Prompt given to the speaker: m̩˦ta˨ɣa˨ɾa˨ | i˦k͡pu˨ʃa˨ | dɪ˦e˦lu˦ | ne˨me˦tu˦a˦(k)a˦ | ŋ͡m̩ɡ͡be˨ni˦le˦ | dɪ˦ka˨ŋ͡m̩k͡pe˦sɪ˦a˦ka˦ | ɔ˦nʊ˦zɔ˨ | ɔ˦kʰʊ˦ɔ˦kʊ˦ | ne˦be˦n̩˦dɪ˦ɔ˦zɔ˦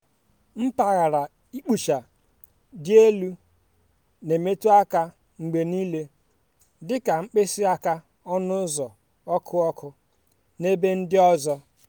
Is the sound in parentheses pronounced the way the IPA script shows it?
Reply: yes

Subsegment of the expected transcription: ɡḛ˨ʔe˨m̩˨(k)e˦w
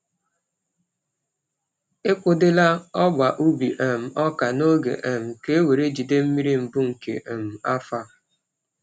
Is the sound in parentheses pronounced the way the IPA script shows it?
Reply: yes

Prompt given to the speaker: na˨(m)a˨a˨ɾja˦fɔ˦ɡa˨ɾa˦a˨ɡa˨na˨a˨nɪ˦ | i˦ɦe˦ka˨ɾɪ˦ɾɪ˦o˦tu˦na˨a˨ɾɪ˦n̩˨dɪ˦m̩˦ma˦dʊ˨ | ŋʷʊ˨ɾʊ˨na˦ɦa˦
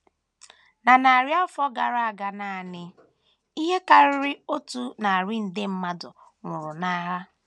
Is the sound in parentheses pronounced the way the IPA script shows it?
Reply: no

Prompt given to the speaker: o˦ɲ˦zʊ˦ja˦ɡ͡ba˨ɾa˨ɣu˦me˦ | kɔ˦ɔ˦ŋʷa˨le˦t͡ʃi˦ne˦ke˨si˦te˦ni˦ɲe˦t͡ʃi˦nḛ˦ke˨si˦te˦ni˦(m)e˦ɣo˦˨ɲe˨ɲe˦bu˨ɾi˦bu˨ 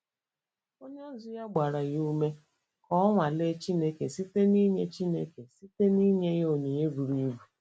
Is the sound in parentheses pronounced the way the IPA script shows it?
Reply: no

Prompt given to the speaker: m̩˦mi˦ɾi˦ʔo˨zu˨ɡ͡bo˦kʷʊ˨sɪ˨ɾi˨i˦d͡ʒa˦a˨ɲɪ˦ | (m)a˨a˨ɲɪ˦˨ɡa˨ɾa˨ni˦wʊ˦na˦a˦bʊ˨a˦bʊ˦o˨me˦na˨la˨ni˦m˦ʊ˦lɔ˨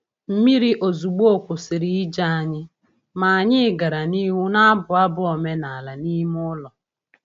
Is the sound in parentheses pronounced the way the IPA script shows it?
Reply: yes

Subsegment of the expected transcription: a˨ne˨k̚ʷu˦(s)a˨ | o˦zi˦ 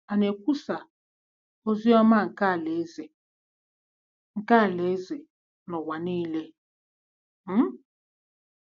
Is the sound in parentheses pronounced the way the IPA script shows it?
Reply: yes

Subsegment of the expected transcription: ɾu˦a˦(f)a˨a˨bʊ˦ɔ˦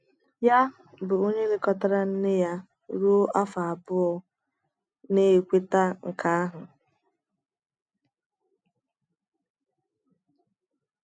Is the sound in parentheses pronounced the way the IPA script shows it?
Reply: yes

